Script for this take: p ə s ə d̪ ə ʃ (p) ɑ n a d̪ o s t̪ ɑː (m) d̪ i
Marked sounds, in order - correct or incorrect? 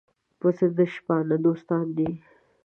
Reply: correct, incorrect: n

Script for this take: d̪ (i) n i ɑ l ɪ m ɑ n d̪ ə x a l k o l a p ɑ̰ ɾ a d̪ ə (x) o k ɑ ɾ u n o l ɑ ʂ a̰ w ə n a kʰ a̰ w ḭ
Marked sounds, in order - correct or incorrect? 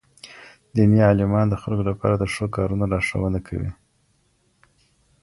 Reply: correct, incorrect: ʂ

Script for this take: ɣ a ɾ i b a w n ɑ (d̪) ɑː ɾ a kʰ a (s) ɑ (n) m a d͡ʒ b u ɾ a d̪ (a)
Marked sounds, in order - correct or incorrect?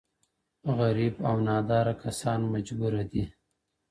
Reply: correct, correct, correct, incorrect: i

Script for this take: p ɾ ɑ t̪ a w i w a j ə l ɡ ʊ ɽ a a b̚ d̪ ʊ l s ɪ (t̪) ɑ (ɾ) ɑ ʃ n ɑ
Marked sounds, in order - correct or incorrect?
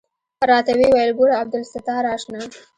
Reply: correct, correct

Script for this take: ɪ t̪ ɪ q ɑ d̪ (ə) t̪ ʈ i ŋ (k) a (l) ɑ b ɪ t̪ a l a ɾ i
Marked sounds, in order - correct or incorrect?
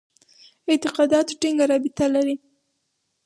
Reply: incorrect: ɑ, incorrect: ɡ, incorrect: ɾ

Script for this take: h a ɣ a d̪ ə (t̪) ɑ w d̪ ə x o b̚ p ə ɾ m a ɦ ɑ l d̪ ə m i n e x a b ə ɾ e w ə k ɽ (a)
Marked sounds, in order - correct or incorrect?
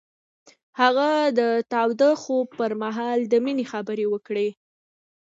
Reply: correct, incorrect: e

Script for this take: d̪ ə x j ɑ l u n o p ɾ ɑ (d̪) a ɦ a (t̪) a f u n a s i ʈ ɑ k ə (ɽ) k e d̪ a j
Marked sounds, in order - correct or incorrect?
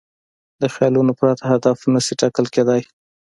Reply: incorrect: t̪, incorrect: d̪, incorrect: l

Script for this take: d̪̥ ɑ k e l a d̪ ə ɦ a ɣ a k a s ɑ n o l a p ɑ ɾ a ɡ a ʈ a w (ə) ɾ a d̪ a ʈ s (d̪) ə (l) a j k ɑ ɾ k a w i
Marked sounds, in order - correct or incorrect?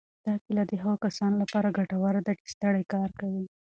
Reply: incorrect: a, incorrect: t̪, incorrect: ɽ

